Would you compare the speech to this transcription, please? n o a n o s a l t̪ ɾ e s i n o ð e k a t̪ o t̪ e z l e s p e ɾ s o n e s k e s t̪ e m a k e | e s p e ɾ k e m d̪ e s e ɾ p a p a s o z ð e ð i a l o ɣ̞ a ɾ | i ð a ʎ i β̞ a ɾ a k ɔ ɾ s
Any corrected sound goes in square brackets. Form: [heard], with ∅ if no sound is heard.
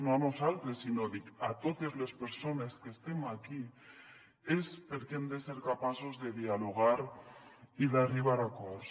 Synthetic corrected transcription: n o a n o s a l t̪ ɾ e s i n o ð [i] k a t̪ o t̪ e z l e s p e ɾ s o n e s k e s t̪ e m a k [i] | e s p e ɾ k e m d̪ e s e ɾ [k] a p a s o z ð e ð i a l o ɣ̞ a ɾ | i ð a [r] i β̞ a ɾ a k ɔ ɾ s